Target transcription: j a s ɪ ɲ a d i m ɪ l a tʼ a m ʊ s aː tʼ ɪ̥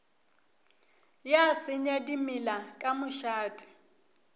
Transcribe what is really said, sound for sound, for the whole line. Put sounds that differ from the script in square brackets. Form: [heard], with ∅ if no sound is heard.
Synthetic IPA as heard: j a s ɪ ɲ a d i m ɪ l a [kʼ] a m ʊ [ʃ] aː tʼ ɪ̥